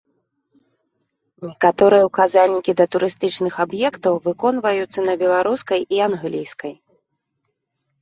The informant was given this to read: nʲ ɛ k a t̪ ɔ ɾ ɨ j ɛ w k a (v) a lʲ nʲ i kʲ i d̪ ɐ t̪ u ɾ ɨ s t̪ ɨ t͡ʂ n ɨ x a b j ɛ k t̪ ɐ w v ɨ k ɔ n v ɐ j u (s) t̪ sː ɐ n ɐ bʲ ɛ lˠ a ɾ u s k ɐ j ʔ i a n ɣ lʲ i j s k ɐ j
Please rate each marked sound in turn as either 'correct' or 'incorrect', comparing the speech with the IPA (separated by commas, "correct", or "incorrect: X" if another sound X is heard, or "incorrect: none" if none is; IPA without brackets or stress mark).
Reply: incorrect: z, incorrect: none